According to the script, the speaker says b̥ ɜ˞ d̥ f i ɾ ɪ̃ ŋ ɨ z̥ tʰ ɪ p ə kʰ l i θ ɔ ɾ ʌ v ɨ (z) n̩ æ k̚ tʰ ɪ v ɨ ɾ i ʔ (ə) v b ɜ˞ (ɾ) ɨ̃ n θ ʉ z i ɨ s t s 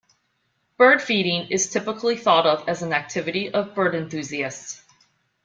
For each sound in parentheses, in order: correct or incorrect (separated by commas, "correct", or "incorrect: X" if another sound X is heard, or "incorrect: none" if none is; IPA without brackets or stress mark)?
correct, incorrect: ʌ, correct